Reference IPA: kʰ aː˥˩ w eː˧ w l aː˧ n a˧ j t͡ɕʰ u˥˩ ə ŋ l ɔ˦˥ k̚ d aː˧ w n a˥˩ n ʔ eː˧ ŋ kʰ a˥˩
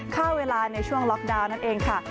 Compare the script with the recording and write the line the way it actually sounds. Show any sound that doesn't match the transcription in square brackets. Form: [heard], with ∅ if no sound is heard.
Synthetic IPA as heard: kʰ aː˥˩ w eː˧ [∅] l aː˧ n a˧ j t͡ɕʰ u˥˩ ə ŋ l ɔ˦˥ k̚ d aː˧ w n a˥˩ n ʔ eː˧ ŋ kʰ a˥˩